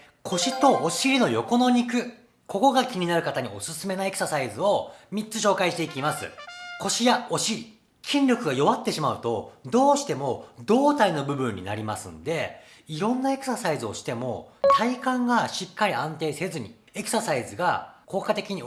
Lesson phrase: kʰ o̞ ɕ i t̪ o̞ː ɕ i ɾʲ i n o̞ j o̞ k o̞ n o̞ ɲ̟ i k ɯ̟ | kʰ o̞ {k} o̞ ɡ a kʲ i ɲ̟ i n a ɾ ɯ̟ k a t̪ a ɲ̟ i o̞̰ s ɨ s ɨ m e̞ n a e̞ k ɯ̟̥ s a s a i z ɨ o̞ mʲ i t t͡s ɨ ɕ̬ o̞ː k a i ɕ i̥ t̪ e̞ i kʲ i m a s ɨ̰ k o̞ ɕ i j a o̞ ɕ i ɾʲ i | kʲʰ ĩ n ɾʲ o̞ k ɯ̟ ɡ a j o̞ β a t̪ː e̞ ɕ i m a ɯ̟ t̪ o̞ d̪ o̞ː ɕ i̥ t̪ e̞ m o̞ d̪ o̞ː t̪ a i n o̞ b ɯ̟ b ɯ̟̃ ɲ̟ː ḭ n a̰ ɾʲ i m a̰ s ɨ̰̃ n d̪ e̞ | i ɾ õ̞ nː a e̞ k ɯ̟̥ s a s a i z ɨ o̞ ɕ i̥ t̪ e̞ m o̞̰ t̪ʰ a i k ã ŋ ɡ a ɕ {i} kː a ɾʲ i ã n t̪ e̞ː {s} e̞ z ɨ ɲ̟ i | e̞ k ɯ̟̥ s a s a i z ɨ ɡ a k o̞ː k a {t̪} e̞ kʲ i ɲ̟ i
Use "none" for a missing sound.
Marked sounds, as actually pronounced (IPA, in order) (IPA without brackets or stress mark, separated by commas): k, i, s, t̪